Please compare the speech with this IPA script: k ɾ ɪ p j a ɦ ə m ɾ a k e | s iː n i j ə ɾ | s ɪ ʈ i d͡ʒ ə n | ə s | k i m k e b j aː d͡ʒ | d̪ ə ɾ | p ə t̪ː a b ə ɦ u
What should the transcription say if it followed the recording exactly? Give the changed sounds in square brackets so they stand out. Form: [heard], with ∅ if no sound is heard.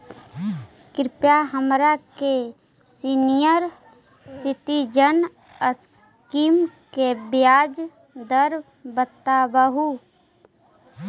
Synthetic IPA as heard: k ɾ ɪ p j a ɦ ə m ɾ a k e | s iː n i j ə ɾ | s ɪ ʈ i d͡ʒ ə n | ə s | k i m k e b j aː d͡ʒ | d̪ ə ɾ | [b] ə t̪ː a b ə ɦ u